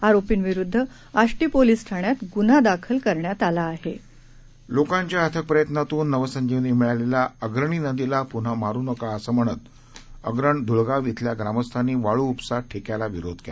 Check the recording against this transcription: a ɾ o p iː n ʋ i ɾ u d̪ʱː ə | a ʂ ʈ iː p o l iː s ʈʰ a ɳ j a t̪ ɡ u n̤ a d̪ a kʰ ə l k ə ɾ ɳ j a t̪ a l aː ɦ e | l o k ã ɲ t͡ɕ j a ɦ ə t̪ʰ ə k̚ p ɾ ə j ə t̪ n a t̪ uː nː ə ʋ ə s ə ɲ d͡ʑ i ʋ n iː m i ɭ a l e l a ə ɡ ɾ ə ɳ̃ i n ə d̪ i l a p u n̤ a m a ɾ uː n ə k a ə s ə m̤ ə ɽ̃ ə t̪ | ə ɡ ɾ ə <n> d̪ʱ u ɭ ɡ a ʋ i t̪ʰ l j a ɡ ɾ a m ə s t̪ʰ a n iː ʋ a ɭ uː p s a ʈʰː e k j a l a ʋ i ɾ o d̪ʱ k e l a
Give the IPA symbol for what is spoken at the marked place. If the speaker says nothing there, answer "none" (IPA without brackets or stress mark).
ɳ